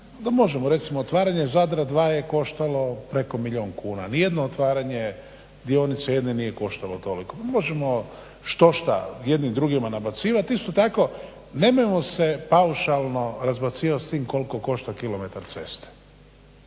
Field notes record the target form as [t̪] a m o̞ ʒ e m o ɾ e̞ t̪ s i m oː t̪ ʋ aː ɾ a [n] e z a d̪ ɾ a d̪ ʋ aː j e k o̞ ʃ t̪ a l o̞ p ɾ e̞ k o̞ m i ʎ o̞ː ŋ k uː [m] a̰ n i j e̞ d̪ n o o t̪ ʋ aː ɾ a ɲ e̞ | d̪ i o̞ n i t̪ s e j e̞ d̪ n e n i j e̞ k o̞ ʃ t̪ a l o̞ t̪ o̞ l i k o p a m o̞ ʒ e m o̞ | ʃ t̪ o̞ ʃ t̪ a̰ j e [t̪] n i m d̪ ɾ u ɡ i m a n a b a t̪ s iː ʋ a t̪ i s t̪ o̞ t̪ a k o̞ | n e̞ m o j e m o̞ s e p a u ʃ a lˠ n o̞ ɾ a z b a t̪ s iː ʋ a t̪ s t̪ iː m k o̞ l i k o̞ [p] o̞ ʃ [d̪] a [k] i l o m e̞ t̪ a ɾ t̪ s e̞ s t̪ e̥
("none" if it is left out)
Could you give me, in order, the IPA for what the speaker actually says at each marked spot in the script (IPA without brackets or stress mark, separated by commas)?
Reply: d̪, ɲ, n, d̪, k, t̪, k